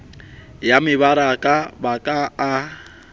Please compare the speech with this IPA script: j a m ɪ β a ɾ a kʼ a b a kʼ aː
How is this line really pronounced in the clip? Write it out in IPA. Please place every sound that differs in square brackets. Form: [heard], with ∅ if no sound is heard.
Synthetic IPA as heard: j a m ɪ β a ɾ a kʼ a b a kʼ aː